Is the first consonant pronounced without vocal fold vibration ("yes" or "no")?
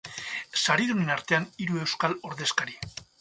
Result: yes